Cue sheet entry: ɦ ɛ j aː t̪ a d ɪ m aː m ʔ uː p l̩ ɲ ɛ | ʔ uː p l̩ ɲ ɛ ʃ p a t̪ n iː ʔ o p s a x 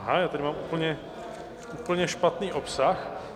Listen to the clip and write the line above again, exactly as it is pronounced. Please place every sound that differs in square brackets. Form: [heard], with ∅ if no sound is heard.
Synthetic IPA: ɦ [a] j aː t̪ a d ɪ m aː m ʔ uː p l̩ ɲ ɛ | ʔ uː p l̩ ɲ ɛ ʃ p a t̪ n iː ʔ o p s a x